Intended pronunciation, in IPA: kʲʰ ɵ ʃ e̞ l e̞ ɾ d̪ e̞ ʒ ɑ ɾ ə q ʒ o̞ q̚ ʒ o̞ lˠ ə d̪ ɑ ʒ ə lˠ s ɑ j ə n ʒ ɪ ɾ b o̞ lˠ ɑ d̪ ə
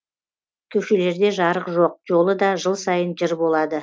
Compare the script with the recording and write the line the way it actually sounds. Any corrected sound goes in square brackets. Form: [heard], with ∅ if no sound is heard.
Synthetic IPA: kʲʰ ɵ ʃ e̞ l e̞ ɾ d̪ e̞ ʒ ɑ ɾ ə q ʒ o̞ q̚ ʒ o̞ lˠ ə d̪ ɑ ʒ ə lˠ s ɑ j ə n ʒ ɪ ɾ b o̞ lˠ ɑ d̪ ə